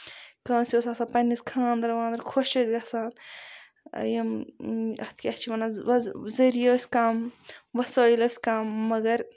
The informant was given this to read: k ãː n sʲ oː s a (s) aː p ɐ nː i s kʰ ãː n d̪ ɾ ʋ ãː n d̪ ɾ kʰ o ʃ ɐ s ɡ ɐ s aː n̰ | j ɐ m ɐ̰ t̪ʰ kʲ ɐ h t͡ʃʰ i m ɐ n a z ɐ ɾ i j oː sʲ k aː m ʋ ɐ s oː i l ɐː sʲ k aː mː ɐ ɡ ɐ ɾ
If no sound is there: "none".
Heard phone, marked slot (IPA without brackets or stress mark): s